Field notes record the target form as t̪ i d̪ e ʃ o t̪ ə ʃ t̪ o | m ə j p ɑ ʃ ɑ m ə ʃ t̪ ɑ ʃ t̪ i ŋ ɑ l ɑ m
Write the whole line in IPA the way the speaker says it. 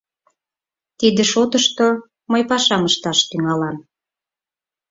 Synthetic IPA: t̪ i d̪ e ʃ o t̪ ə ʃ t̪ o | m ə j p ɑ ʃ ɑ m ə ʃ t̪ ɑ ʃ t̪ y ŋ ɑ l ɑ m